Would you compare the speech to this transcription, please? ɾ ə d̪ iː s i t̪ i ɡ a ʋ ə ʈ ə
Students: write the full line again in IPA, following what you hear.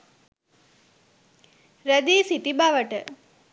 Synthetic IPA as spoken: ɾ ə d̪ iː s i t̪ i b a ʋ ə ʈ ə

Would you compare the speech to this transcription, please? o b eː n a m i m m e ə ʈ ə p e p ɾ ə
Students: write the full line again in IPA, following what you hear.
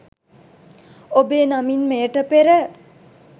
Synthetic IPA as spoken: o b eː n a m i n m e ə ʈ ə p e ɾ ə

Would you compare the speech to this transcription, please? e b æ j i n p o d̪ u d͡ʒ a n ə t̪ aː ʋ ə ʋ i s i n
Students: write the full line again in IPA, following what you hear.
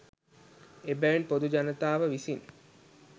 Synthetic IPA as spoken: e b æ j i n p o d̪ u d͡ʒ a n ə t̪ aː ʋ ə ʋ i s i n

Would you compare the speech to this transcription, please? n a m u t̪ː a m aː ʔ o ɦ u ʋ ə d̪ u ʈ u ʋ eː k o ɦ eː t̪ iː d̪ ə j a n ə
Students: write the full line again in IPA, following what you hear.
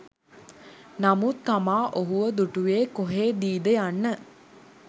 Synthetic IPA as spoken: n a m u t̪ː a m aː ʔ o ɦ u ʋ ə d̪ u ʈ u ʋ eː k o ɦ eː d̪ iː d̪ ə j a nː ə

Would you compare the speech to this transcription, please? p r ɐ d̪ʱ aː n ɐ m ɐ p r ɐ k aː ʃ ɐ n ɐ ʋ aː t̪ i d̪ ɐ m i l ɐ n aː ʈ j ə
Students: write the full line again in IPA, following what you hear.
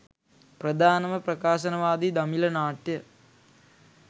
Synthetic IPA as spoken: p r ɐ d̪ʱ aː n ɐ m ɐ p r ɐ k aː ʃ ɐ n ɐ ʋ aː d̪ i d̪ ɐ m i l ɐ n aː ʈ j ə

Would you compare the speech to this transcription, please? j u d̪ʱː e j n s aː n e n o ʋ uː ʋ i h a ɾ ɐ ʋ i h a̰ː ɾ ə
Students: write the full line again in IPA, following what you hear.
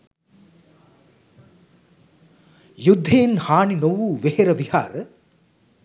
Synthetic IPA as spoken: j u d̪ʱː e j n h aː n i n o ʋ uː ʋ e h e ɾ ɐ ʋ i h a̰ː ɾ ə

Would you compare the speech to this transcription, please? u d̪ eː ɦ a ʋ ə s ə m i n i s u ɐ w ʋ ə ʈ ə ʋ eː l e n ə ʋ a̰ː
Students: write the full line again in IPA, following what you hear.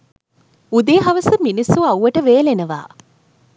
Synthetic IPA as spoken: u d̪ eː ɦ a ʋ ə s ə m i n i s u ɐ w ʋ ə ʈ ə ʋ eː l e n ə ʋ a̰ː

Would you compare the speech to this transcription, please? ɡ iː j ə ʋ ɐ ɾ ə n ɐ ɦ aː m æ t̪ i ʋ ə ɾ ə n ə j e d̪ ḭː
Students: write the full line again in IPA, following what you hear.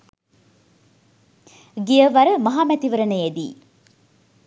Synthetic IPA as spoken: ɡ i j ə ʋ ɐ ɾ ə m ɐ ɦ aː m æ t̪ i ʋ ə ɾ ə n ə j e d̪ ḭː

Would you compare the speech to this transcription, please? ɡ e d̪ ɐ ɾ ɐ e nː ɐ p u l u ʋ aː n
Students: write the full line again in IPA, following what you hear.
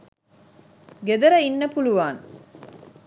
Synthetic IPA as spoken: ɡ e d̪ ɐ ɾ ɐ i nː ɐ p u l u ʋ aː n

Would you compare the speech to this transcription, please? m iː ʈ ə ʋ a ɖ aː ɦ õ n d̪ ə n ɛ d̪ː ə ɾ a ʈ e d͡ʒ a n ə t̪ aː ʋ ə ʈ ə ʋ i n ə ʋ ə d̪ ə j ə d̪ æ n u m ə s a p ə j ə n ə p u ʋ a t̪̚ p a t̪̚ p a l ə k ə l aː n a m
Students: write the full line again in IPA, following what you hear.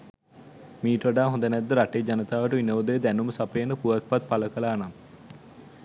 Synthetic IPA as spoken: m iː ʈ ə ʋ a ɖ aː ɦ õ n d̪ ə n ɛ d̪ː ə ɾ a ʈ e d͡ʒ a n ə t̪ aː ʋ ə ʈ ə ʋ i n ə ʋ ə d̪ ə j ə d̪ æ n u m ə s a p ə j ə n ə p u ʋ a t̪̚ p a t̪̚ p a l ə k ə l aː n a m

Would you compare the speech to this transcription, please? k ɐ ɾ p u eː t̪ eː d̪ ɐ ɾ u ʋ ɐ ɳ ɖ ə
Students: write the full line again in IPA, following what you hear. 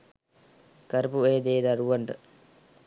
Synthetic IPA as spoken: k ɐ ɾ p u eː d̪ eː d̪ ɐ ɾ u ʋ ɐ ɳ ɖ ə

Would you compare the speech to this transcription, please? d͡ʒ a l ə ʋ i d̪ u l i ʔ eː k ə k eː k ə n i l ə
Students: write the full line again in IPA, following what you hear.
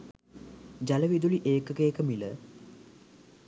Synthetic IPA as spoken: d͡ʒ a l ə ʋ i d̪ u l i ʔ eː k ə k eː k ə m i l ə

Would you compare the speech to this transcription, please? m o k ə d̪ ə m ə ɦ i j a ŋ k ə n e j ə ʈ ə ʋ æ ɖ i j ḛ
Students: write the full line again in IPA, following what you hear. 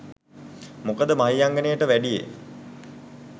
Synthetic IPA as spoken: m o k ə d̪ ə m a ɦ i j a ŋ ɡ ə n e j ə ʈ ə ʋ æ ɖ i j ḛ

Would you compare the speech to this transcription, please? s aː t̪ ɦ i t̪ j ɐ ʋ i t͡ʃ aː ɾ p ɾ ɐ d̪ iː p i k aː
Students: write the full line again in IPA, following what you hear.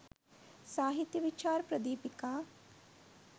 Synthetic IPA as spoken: s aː ɦ i t̪ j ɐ ʋ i t͡ʃ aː ɾ p ɾ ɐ d̪ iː p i k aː

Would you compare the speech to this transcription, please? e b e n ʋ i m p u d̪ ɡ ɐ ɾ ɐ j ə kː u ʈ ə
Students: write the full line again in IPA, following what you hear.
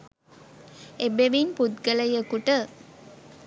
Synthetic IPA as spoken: e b e ʋ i n p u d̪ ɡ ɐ l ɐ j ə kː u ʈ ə

